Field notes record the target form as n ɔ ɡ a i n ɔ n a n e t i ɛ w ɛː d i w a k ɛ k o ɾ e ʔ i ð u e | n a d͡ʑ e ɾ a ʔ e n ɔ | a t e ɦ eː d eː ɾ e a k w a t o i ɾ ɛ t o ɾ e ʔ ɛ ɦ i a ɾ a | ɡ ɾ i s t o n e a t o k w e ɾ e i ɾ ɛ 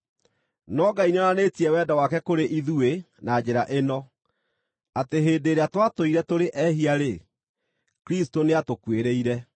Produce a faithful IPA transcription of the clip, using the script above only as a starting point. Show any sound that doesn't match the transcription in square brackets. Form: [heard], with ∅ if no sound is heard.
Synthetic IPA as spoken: n ɔ ɡ a i n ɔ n a n e t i ɛ w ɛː d [a] w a k ɛ k o ɾ e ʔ i ð u e | n a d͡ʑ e ɾ a ʔ e n ɔ | a t e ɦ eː d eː ɾ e a [t] w a t o i ɾ ɛ t o ɾ e ʔ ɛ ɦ i a ɾ [e] | [k] ɾ i s t o n e a t o k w e ɾ e i ɾ ɛ